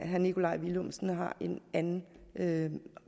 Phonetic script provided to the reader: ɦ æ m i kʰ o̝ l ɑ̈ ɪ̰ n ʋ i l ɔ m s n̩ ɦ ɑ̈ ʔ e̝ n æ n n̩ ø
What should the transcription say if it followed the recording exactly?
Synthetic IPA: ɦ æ n i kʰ o̝ l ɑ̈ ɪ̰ ʋ i l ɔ m s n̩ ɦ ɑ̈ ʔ e̝ n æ n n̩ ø

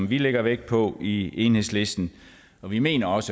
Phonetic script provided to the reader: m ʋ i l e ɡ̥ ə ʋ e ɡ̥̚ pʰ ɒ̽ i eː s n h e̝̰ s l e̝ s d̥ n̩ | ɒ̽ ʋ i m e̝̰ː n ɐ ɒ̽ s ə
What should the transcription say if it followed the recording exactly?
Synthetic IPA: m ʋ i l e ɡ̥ ɐ ʋ e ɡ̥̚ pʰ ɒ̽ i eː n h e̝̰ s l e̝ s d̥ n̩ | ɒ̽ ʋ i m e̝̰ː n ɐ ɒ̽ s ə

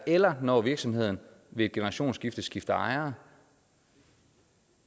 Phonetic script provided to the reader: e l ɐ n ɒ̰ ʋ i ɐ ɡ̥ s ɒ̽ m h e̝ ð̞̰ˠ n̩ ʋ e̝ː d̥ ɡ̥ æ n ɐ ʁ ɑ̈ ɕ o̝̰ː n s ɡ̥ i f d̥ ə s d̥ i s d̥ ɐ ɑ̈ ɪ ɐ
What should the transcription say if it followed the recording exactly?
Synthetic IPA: e l ɐ n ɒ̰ ʋ i ɐ ɡ̥ s ɒ̽ m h e̝ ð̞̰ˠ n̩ ʋ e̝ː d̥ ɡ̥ e n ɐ ʁ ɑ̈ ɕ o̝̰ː n s ɡ̥ i f d̥ ə s ɡ̥ i f d̥ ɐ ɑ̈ ɪ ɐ

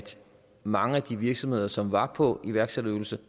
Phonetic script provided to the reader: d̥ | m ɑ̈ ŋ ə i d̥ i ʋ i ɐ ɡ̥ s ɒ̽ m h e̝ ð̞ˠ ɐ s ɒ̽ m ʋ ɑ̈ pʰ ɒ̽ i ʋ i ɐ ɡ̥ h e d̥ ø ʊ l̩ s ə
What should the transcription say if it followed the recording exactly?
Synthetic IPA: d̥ | m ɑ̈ ŋ ə æ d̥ i ʋ i ɐ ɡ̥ s ɒ̽ m h e̝ ð̞ˠ ɐ s ɒ̽ m ʋ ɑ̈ pʰ ɒ̽ i ʋ æ ɐ ɡ̥ s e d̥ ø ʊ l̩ s ə

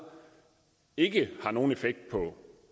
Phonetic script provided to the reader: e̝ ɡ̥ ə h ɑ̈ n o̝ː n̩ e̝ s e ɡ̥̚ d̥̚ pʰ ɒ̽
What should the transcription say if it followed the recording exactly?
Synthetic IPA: e̝ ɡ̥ ə h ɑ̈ n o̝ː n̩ e̝ f e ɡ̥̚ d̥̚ pʰ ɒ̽

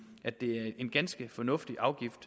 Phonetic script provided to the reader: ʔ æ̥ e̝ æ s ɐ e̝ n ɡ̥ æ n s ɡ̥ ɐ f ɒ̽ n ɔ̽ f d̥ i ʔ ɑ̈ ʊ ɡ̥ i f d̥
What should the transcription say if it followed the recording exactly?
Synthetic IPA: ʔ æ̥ e̝ æ ɐ e̝ n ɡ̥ æ n s ɡ̥ ə f ɒ̽ n ɔ̽ f d̥ i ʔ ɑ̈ ʊ ɡ̥ i f d̥

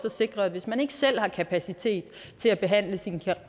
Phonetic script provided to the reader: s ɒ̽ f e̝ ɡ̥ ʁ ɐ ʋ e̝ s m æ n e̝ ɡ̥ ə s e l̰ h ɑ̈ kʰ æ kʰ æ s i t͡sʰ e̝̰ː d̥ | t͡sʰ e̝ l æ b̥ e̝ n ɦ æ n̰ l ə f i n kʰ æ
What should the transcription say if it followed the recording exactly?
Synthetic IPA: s ɒ̽ s e̝ ɡ̥ ʁ ɐ ʋ e̝ s m æ n e̝ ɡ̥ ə s e l̰ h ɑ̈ kʰ æ pʰ æ s i t͡sʰ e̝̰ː d̥ | t͡sʰ e̝ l æ b̥ e̝ ɦ æ n̰ l ə s i n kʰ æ

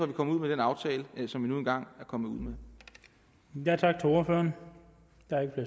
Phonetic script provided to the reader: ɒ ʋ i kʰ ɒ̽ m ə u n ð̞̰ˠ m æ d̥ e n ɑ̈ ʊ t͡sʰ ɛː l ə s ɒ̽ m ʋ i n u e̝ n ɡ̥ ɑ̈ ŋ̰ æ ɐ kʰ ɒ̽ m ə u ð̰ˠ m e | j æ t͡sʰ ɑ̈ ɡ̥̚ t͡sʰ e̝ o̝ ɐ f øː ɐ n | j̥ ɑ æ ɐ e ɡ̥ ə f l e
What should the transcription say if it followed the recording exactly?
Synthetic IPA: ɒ ʋ i kʰ ɒ̽ m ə u ð̞̰ˠ m e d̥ e n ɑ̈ ʊ t͡sʰ ɛː l ə s ɒ̽ m ʋ i n u e̝ n ɡ̥ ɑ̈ ŋ̰ æ ɐ kʰ ɒ̽ m ə u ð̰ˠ m e | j æ t͡sʰ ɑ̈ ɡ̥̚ t͡sʰ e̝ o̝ ɐ f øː ɐ n | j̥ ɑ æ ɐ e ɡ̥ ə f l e

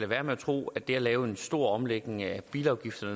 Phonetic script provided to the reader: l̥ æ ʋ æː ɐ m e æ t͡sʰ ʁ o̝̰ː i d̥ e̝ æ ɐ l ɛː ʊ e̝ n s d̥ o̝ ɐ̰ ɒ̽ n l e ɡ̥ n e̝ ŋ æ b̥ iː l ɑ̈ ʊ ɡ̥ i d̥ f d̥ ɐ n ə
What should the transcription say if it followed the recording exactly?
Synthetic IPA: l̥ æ ʋ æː ɐ m e æ t͡sʰ ʁ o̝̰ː æ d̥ e̝ æ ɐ l ɛː ʊ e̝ n s d̥ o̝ ɐ̰ ɒ̽ m l e ɡ̥ n e̝ ŋ æ b̥ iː l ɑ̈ ʊ ɡ̥ i f d̥ ɐ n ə

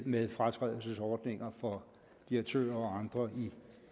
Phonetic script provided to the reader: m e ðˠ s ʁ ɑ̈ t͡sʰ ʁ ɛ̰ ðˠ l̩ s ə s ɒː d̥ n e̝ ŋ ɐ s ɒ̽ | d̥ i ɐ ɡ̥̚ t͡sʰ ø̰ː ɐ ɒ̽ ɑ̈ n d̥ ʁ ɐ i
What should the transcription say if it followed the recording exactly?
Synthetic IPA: m e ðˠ f ʁ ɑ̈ t͡sʰ ʁ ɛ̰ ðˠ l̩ s ə s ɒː d̥ n e̝ ŋ ɐ f ɒ̽ | d̥ i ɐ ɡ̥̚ t͡sʰ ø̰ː ɐ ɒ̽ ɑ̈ n d̥ ʁ ɐ i

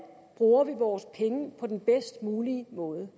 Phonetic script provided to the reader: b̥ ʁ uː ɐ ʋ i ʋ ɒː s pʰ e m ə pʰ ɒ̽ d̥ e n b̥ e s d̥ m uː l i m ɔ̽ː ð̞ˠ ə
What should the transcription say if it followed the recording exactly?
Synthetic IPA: b̥ ʁ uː ɐ ʋ i ʋ ɒː s pʰ e ŋ ə pʰ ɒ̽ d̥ e n b̥ e s d̥ m uː l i m ɔ̽ː ð̞ˠ ə

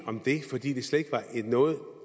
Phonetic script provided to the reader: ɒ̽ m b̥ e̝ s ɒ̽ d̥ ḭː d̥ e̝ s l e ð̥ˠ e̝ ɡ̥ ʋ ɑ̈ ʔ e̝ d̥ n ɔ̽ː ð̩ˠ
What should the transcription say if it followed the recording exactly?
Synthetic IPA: ɒ̽ m d̥ e̝ f ɒ̽ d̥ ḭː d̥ e̝ s l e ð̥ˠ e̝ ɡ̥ ʋ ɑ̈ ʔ e̝ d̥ n ɔ̽ː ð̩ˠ

